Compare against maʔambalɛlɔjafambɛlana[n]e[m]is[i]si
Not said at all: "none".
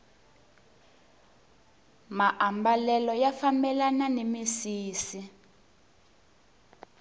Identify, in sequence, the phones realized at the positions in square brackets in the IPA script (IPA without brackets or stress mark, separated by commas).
n, m, iː